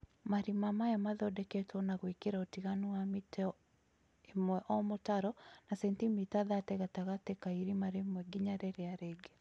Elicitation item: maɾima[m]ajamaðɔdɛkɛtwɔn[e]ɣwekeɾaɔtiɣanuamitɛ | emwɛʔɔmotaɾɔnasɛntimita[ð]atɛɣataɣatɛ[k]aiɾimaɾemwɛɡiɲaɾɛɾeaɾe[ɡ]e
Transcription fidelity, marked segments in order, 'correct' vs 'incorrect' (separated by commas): correct, incorrect, correct, correct, correct